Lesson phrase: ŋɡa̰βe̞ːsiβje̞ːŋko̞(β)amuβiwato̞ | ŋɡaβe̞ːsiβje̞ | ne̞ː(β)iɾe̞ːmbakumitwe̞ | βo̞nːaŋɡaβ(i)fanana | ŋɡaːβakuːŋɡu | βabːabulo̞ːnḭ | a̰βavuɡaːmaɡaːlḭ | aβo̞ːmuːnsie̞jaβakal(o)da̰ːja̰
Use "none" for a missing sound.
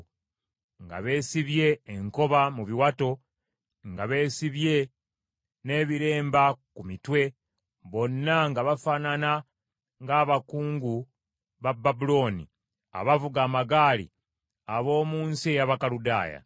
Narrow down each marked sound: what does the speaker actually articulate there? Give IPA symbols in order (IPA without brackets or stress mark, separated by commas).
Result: β, β, a, u